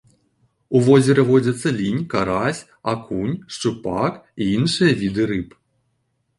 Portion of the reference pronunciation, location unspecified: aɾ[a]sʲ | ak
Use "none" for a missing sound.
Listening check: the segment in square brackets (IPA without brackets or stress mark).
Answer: a